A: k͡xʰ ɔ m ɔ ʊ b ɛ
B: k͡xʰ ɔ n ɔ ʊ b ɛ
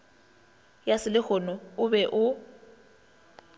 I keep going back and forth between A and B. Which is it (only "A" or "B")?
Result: B